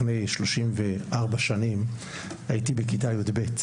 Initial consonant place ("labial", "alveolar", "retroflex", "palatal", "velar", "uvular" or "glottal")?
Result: alveolar